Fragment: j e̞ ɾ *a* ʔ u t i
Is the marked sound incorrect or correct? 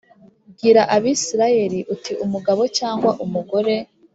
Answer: incorrect